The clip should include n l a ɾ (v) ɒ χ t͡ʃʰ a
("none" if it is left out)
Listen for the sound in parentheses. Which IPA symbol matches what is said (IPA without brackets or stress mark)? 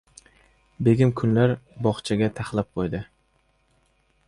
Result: b